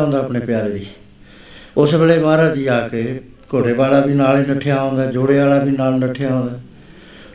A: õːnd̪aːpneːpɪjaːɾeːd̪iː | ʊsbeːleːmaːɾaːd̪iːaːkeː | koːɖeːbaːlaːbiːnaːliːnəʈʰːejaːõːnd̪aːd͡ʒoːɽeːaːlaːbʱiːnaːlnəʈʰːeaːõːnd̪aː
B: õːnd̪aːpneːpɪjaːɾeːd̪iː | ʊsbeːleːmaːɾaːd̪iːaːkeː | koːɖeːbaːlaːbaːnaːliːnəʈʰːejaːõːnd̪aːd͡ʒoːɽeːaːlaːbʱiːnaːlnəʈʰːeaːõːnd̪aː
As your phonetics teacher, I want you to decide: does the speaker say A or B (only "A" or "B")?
A